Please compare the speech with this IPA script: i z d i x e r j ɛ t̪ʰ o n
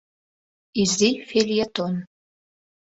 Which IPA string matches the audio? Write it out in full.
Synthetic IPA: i z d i f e l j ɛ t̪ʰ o n